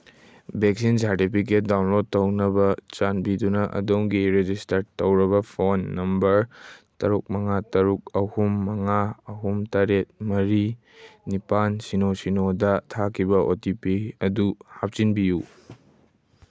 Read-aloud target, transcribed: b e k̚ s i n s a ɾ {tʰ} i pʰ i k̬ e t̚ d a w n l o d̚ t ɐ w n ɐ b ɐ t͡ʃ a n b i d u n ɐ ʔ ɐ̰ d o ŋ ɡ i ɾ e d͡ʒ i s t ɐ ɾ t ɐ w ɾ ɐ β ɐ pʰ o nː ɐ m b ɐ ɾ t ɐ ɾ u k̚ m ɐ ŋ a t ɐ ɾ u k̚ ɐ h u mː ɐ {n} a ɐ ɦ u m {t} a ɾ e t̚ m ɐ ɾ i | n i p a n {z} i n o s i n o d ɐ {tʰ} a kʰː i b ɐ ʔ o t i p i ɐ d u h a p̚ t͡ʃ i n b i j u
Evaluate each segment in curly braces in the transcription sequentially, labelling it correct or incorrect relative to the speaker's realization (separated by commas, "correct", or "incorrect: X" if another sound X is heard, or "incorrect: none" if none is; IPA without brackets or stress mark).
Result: incorrect: t, incorrect: ŋ, correct, incorrect: s, correct